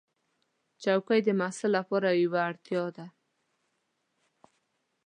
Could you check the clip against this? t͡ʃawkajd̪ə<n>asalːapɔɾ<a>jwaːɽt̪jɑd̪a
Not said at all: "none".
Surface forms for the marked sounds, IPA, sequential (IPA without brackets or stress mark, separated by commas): m, a